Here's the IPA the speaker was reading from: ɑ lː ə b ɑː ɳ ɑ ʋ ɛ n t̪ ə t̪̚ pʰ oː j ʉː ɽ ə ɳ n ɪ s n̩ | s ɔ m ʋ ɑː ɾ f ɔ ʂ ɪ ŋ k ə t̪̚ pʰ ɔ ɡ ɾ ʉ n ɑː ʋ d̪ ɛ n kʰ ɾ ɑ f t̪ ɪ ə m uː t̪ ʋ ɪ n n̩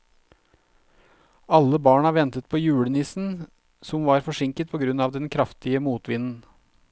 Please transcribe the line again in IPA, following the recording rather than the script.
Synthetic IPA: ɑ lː ə b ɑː ɳ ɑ ʋ ɛ n t̪ ə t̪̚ pʰ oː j ʉː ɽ ə n ɪ s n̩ | s ɔ m ʋ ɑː ɾ f ɔ ʂ ɪ ŋ k ə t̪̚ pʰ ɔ ɡ ɾ ʉ n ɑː ʋ d̪ ɛ n kʰ ɾ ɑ f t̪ ɪ ə m uː t̪ ʋ ɪ n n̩